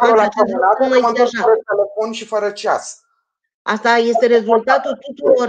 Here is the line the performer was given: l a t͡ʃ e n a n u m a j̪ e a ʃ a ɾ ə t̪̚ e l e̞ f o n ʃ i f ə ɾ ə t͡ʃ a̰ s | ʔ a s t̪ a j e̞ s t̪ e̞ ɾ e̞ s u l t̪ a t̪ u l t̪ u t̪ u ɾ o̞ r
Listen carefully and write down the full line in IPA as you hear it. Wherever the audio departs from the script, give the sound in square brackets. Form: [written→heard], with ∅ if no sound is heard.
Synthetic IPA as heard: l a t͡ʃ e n a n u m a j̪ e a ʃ a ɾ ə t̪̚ e l e̞ f o n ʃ i f ə ɾ ə t͡ʃ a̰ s | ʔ a s t̪ a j e̞ s t̪ e̞ ɾ e̞ [s→z] u l t̪ a t̪ u l t̪ u t̪ u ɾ o̞ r